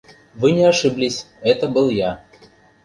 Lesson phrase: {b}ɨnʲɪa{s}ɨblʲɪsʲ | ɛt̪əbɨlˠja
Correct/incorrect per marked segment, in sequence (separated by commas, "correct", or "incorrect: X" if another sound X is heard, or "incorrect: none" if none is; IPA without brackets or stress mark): incorrect: v, incorrect: ʂ